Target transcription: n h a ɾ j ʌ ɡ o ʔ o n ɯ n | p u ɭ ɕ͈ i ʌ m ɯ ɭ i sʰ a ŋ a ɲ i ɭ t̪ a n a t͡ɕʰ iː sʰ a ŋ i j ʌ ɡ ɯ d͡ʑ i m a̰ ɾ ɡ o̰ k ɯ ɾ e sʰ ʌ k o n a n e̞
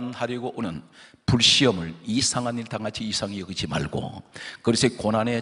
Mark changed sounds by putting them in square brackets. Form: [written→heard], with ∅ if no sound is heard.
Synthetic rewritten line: n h a ɾ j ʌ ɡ o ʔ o n ɯ n | p u ɭ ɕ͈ i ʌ m ɯ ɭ i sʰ a ŋ a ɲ i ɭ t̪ a [n→ŋ] a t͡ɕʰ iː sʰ a ŋ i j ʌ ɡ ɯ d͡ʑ i m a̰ [ɾ→ɭ] ɡ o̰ k ɯ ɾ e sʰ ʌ k o n a n e̞